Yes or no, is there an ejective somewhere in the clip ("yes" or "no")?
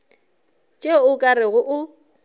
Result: yes